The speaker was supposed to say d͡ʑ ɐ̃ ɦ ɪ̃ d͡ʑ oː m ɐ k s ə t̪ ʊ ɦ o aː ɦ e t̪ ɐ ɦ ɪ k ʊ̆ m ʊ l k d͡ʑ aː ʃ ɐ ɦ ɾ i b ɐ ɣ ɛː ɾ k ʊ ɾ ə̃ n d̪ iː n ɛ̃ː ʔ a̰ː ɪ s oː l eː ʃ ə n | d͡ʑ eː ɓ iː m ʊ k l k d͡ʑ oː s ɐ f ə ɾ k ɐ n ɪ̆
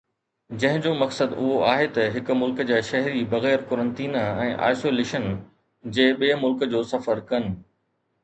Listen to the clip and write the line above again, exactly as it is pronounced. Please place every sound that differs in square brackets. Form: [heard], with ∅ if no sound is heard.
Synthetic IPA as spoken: d͡ʑ ɐ̃ ɦ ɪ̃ d͡ʑ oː m ɐ k s ə [d̪] ʊ ɦ o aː ɦ e t̪ ɐ ɦ ɪ k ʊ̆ m ʊ l k d͡ʑ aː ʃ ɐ ɦ ɾ i b ɐ ɣ ɛː ɾ k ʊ ɾ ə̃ n [t̪] iː n ɛ̃ː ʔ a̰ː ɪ s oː l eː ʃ ə n | d͡ʑ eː ɓ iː m ʊ [∅] l k d͡ʑ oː s ɐ f ə ɾ k ɐ n ɪ̆